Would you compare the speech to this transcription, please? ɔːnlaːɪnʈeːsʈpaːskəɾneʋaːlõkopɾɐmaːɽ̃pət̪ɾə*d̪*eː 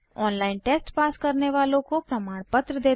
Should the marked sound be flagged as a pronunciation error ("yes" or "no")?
no